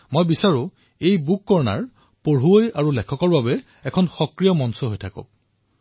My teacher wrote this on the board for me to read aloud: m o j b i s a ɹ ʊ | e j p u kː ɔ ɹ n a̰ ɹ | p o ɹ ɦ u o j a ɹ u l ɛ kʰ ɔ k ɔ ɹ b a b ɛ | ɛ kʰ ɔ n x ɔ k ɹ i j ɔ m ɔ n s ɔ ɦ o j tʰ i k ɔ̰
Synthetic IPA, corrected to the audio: m o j b i s a ɹ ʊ | e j b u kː ɔ ɹ n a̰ ɹ | p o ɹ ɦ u o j a ɹ u l ɛ kʰ ɔ k ɔ ɹ b a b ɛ | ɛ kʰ ɔ n x ɔ k ɹ i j ɔ m ɔ n s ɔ ɦ o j tʰ a k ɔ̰